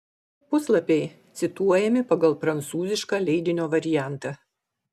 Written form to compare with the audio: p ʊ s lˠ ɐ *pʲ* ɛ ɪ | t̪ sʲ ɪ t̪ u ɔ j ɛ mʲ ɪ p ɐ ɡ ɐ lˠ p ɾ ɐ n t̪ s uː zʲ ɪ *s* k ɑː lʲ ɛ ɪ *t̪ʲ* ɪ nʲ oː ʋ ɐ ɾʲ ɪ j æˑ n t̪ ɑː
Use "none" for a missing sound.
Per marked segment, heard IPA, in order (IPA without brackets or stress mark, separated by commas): pʲ, ʃ, d̪ʲ